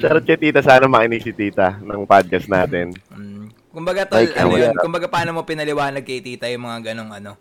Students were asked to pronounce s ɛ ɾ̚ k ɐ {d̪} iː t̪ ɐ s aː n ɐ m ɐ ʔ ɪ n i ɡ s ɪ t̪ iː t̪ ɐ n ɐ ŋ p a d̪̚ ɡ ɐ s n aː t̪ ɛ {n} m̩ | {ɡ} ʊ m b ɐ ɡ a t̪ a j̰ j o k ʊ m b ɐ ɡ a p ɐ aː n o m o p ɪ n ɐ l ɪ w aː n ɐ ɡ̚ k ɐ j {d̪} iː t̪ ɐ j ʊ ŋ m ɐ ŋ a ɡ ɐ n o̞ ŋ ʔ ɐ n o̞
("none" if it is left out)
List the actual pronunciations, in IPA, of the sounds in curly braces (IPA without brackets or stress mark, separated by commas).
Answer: t̪, n, k, t̪